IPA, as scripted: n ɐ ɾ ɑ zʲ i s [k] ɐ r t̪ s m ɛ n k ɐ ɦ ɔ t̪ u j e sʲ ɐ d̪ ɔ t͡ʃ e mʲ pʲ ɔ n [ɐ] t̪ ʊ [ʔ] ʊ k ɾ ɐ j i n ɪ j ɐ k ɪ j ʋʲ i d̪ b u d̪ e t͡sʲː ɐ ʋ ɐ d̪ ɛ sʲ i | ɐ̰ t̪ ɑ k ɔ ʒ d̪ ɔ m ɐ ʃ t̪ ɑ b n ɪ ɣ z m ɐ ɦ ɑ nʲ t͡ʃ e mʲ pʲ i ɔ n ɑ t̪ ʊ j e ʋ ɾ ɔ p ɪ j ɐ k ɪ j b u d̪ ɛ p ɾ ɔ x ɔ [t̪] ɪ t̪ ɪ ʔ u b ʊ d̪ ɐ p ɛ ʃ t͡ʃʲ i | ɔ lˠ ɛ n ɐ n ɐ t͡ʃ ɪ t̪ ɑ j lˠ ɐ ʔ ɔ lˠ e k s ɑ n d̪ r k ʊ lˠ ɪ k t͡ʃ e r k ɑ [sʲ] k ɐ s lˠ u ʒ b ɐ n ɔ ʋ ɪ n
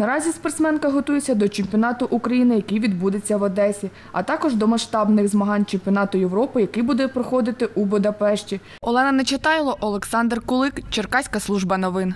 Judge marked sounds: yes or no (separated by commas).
no, no, yes, no, yes